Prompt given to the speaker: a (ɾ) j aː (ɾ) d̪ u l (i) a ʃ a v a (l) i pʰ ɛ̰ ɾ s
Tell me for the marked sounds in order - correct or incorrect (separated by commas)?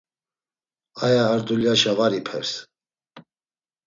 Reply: incorrect, correct, incorrect, incorrect